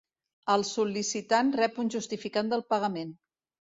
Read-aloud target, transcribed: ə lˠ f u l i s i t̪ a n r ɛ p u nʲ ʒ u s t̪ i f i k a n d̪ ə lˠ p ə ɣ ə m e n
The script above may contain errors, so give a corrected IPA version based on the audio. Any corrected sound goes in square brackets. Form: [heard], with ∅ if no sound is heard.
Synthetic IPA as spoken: ə lˠ [s] u l i s i t̪ a n r ɛ p u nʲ ʒ u s t̪ i f i k a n d̪ ə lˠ p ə ɣ ə m e n